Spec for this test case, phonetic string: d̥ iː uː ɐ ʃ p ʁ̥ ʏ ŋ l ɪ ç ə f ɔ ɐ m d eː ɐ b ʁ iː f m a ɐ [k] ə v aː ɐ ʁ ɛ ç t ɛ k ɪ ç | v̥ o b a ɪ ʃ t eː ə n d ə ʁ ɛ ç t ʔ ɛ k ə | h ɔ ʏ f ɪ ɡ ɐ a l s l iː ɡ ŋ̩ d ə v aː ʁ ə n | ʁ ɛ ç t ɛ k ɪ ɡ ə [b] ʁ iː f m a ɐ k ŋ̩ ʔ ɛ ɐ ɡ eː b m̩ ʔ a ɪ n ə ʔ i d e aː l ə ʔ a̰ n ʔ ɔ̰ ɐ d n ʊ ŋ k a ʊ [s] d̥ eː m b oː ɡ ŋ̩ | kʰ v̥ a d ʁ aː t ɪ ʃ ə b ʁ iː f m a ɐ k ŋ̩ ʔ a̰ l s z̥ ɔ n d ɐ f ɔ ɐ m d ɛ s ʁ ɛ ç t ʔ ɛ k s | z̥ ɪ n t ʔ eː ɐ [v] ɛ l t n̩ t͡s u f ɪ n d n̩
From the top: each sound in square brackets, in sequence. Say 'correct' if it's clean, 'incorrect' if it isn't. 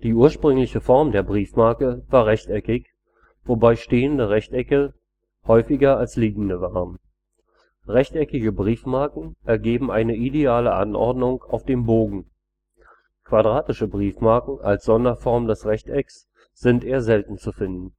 correct, correct, incorrect: f, incorrect: z

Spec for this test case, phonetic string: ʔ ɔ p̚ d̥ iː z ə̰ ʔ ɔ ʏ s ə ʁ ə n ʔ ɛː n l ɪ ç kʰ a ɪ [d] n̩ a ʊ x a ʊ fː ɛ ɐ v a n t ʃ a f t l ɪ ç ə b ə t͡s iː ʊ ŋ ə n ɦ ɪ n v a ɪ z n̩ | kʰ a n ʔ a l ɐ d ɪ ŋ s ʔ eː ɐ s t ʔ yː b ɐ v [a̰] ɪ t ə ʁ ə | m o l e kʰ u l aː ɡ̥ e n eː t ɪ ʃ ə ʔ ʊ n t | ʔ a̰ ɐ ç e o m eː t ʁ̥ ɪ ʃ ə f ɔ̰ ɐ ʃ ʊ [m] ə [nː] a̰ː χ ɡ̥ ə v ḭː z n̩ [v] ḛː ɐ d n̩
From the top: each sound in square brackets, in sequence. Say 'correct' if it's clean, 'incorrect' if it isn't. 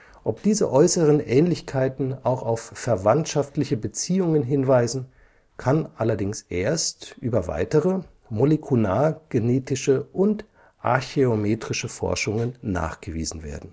incorrect: t, correct, incorrect: ŋ, correct, correct

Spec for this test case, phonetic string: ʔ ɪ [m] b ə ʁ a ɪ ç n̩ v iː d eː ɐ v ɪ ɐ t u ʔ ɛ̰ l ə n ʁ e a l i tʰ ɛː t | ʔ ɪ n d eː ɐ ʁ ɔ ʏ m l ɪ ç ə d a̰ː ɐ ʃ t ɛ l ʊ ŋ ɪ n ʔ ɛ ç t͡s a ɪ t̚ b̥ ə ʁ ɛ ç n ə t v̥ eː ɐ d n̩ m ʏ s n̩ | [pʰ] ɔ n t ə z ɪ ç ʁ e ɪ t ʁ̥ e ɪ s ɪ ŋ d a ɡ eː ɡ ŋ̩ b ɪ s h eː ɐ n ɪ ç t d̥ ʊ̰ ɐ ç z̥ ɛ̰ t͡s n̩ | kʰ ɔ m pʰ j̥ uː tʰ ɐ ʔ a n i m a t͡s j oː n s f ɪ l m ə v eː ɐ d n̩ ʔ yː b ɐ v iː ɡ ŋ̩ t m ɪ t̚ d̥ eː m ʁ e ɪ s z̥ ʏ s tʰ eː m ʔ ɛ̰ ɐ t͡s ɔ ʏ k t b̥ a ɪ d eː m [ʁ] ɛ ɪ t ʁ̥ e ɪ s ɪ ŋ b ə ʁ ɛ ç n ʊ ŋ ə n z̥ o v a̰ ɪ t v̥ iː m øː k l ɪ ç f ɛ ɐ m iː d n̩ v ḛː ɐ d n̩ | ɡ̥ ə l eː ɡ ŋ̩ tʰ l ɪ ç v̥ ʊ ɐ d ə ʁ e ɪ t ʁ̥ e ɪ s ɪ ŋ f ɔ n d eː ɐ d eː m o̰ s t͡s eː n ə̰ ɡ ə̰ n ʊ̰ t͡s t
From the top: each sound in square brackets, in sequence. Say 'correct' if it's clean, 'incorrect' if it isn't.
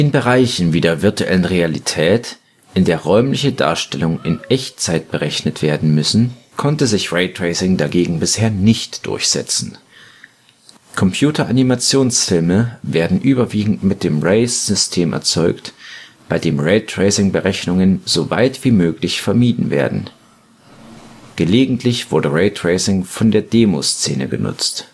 incorrect: n, incorrect: kʰ, correct

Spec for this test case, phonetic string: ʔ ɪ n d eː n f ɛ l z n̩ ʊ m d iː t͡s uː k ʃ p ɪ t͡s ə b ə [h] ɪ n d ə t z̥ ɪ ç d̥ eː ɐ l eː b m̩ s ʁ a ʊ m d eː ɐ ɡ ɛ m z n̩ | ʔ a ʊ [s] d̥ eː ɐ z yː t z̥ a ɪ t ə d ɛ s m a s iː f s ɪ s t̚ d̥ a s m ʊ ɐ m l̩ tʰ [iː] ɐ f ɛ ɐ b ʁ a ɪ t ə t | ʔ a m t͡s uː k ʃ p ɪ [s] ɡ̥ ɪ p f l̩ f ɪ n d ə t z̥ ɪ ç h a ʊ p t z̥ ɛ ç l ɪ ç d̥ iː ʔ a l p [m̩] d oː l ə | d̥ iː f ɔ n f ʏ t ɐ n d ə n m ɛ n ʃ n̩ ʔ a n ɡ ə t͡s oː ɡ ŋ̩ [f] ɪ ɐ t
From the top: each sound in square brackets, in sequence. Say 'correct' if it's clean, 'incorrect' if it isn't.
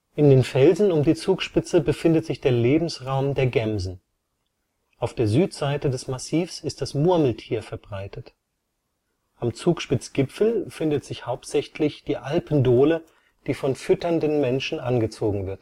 incorrect: f, incorrect: f, correct, incorrect: t͡s, incorrect: n̩, incorrect: v

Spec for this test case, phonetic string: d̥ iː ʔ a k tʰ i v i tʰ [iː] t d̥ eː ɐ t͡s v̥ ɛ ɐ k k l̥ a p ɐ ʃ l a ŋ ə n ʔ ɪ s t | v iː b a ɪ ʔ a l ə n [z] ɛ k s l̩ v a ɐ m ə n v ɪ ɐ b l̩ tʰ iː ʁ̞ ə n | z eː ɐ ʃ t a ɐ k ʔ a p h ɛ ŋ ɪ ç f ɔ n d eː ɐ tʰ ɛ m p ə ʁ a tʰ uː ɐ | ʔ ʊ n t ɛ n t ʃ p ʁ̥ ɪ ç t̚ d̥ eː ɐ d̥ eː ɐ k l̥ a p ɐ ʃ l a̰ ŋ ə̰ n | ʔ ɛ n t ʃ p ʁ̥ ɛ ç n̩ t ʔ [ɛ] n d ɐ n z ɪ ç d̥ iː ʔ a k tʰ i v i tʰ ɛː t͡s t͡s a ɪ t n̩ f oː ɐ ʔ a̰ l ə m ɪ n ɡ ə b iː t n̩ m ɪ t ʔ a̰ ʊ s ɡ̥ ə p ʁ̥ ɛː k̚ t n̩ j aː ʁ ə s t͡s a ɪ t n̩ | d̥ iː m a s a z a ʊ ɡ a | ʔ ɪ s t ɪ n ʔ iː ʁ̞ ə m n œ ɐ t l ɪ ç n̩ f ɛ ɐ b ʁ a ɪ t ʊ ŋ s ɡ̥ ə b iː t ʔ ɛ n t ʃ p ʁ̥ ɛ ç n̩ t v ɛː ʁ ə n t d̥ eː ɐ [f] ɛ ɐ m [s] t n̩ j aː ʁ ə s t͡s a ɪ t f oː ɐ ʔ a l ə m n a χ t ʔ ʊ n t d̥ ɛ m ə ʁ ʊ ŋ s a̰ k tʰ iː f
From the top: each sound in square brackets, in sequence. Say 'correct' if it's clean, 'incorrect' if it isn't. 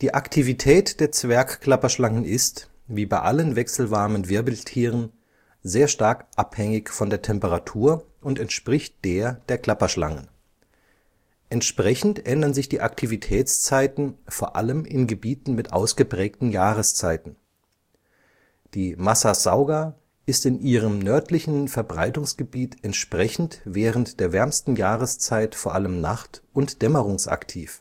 incorrect: ɛː, incorrect: v, correct, incorrect: v, correct

